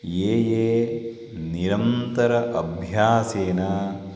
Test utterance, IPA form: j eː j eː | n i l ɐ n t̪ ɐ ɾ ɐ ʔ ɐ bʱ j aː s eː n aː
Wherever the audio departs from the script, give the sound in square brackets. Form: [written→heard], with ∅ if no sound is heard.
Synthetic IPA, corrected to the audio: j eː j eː | n i [l→ɾ] ɐ n t̪ ɐ ɾ ɐ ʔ ɐ bʱ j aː s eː n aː

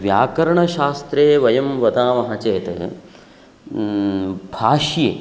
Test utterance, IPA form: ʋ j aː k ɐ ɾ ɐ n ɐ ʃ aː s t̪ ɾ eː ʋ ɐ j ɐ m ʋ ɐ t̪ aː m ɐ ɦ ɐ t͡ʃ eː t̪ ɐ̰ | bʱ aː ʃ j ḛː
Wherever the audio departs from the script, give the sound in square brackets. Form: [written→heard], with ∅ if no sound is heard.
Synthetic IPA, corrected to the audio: ʋ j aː k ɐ ɾ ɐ [n→ɳ] ɐ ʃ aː s t̪ ɾ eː ʋ ɐ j ɐ m ʋ ɐ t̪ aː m ɐ ɦ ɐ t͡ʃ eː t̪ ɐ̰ | bʱ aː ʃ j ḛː

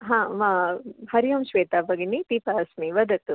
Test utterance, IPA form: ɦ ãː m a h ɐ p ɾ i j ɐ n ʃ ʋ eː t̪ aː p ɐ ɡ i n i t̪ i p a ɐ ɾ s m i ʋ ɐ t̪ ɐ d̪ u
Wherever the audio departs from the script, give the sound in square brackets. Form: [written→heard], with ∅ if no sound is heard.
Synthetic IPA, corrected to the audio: ɦ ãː m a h ɐ [p→∅] ɾ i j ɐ [n→m] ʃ ʋ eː t̪ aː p ɐ ɡ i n i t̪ i p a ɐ [ɾ→∅] s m i ʋ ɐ [t̪→d̪] ɐ [d̪→t̪] u

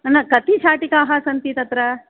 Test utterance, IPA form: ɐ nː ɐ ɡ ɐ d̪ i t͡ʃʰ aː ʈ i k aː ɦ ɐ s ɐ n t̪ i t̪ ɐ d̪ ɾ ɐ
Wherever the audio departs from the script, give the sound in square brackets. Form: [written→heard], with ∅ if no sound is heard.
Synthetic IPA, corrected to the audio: ɐ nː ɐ [ɡ→k] ɐ [d̪→t̪] i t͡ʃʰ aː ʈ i k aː ɦ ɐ s ɐ n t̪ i t̪ ɐ [d̪→t̪] ɾ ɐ

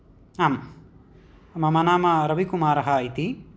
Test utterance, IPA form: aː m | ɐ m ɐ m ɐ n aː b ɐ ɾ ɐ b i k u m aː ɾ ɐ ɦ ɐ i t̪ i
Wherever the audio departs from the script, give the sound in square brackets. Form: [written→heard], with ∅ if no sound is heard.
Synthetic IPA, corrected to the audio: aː m | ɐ m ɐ m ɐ n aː [b→m] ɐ ɾ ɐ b i k u m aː ɾ ɐ ɦ ɐ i t̪ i

